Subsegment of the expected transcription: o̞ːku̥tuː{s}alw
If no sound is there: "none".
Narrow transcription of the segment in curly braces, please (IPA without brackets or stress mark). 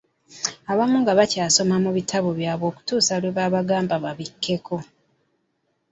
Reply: s